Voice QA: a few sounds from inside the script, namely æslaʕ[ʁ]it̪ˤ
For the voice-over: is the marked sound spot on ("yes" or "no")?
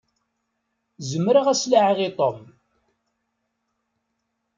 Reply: yes